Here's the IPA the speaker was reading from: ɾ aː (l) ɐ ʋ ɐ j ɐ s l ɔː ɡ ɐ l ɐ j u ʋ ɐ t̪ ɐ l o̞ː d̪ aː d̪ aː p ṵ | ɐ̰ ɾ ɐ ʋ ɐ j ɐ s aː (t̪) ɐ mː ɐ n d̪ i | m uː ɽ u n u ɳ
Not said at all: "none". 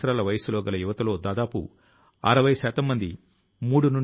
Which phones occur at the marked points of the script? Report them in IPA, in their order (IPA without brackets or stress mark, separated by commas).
l, t̪